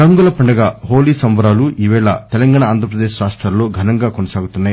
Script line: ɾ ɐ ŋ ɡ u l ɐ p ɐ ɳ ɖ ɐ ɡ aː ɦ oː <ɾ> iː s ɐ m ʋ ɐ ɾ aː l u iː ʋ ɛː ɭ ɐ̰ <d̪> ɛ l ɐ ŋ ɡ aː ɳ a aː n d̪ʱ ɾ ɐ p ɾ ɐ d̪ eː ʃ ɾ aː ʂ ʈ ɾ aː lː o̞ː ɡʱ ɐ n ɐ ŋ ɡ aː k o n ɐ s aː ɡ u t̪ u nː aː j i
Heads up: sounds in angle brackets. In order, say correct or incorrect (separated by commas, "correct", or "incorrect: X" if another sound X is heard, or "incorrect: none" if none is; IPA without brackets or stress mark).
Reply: incorrect: l, incorrect: t̪